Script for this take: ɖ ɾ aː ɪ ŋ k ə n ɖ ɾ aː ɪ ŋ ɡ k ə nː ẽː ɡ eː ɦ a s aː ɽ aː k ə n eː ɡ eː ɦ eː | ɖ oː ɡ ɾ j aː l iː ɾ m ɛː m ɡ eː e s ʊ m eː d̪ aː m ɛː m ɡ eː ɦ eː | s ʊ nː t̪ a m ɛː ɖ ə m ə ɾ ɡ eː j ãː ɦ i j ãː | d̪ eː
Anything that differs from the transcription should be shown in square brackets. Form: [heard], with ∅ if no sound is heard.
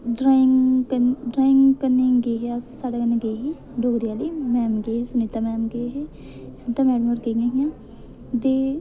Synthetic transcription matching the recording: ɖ ɾ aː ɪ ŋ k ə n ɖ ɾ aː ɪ ŋ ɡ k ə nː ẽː ɡ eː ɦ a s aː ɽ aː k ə n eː ɡ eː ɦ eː | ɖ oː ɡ ɾ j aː l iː [∅] m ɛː m ɡ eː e s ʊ [n] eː [t̪] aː m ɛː m ɡ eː ɦ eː | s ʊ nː t̪ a m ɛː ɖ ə m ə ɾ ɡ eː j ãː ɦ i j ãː | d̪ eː